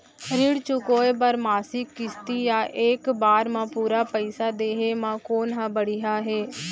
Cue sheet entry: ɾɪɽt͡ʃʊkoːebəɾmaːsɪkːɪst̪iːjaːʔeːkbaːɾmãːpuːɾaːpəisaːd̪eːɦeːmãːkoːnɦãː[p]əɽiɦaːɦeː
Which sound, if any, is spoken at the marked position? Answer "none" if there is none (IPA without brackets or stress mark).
b